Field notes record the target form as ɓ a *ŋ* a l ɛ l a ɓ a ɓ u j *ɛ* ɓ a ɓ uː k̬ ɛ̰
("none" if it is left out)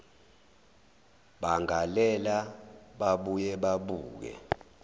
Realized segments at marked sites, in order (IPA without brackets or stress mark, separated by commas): ŋ, ɛ